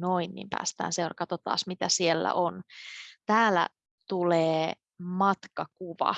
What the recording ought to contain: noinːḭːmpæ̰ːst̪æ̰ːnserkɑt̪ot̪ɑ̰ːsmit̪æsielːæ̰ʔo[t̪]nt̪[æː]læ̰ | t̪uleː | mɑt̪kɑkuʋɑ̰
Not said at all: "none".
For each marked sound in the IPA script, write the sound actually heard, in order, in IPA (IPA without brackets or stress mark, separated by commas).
none, æː